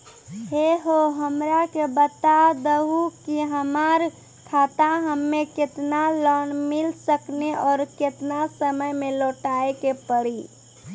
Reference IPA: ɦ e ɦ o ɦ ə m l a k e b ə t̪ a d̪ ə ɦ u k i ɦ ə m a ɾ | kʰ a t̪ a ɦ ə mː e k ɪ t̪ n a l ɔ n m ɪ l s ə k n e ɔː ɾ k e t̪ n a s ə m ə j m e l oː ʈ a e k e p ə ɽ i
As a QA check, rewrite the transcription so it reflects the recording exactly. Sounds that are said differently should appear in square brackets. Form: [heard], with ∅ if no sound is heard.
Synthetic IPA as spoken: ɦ e ɦ o ɦ ə m [ɾ] a k e b ə t̪ a d̪ ə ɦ u k i ɦ ə m a ɾ | kʰ a t̪ a ɦ ə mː e k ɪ t̪ n a l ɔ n m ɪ l s ə k n e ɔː ɾ k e t̪ n a s ə m ə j m e l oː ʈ a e k e p ə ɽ i